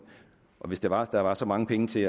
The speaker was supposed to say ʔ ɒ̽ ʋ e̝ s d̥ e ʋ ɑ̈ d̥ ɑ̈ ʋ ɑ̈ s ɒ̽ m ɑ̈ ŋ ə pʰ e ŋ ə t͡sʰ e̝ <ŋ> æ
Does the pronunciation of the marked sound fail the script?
yes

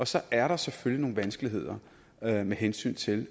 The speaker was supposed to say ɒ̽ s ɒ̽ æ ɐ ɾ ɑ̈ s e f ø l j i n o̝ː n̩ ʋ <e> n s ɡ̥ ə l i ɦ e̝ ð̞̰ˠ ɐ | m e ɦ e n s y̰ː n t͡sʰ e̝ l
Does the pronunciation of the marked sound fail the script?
yes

